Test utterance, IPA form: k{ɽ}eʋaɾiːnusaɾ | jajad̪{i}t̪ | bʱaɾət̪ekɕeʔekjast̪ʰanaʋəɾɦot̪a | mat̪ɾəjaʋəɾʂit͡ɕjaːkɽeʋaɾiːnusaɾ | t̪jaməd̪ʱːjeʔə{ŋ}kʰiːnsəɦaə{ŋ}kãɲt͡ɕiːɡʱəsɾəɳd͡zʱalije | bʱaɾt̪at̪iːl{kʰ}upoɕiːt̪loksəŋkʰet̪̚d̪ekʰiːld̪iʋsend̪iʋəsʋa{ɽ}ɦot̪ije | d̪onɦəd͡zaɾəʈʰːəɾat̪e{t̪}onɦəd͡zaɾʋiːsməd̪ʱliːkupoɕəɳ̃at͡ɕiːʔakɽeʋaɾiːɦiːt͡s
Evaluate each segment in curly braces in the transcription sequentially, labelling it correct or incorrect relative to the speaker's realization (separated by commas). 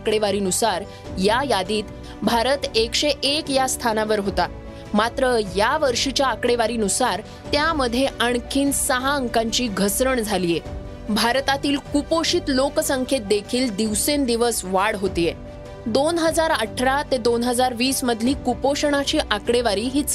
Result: correct, incorrect, incorrect, correct, incorrect, correct, incorrect